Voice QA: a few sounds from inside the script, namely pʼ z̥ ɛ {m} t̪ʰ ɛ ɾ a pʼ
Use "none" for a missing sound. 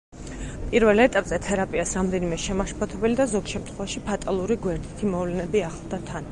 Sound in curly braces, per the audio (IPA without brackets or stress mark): none